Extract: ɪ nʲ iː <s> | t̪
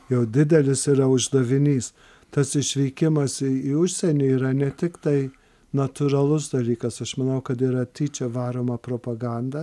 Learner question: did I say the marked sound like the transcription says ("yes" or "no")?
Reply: yes